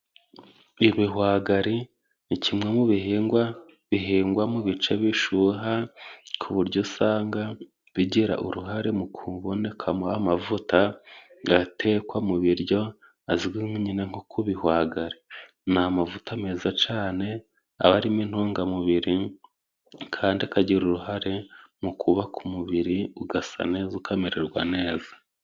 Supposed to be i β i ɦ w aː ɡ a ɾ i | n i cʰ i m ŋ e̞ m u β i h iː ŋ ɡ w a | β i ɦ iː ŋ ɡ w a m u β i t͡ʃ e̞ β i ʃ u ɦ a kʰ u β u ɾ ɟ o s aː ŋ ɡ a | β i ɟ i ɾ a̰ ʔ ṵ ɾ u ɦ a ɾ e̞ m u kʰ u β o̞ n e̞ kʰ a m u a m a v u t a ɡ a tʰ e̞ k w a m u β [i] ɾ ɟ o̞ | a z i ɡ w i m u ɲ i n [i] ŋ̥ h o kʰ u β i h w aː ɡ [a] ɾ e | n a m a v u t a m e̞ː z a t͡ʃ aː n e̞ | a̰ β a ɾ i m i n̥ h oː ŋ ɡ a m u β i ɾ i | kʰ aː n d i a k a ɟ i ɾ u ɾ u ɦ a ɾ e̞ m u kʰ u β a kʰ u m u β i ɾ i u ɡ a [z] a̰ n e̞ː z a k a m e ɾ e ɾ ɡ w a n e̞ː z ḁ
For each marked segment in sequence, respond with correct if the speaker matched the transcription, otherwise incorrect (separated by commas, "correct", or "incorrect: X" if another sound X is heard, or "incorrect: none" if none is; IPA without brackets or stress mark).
correct, incorrect: e, correct, incorrect: s